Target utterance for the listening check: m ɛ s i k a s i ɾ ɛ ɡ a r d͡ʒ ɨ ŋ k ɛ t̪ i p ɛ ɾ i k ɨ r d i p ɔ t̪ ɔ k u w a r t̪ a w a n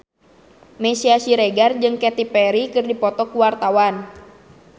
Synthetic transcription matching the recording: m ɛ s i a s i ɾ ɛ ɡ a r d͡ʒ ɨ ŋ k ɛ t̪ i p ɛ ɾ i k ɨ r d i p ɔ t̪ ɔ k u w a r t̪ a w a n